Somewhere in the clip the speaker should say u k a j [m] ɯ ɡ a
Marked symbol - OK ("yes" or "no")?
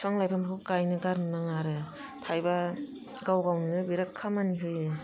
no